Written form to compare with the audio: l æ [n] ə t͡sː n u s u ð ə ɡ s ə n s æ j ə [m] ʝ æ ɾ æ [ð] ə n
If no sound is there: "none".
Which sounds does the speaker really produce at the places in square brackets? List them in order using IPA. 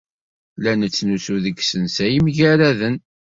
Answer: n, m, ð

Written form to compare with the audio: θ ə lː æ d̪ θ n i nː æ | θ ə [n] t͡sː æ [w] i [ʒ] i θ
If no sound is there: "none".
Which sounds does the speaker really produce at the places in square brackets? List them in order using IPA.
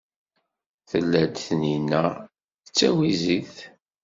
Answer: none, w, z

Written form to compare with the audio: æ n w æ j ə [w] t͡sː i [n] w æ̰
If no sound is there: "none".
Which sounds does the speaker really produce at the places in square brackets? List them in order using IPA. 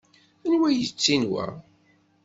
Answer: none, n

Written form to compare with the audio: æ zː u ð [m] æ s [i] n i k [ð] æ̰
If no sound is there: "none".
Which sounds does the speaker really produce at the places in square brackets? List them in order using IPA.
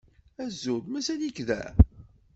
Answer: m, æ, ð

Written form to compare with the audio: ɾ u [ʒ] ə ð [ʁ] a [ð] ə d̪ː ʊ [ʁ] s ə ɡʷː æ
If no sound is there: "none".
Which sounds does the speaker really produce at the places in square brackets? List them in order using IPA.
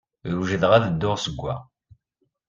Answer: ʒ, ʁ, ð, ʁ

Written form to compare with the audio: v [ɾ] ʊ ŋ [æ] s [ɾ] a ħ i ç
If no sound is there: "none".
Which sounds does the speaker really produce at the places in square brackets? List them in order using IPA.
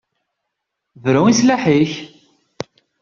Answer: ɾ, i, l

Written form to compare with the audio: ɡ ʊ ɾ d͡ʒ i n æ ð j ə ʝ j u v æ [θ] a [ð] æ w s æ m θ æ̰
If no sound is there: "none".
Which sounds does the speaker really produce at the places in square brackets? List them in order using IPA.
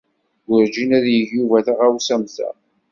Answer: θ, ʁ

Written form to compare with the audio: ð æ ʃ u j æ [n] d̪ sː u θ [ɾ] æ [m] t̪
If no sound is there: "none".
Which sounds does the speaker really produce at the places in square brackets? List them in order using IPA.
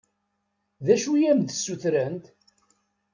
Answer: m, ɾ, n

